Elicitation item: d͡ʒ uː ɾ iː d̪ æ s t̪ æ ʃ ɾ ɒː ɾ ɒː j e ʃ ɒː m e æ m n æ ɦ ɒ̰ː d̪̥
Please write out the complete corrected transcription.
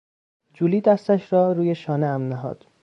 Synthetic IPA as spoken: d͡ʒ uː l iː d̪ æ s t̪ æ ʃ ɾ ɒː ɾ uː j e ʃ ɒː n e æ m n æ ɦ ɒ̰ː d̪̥